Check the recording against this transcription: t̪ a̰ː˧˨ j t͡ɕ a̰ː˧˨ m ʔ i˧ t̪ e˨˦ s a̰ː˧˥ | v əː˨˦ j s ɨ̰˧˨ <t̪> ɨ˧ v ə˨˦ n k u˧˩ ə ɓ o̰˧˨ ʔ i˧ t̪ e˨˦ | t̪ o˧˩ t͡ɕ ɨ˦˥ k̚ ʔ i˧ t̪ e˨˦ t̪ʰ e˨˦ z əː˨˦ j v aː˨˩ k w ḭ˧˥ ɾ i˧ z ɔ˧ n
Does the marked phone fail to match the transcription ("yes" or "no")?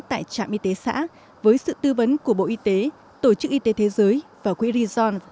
no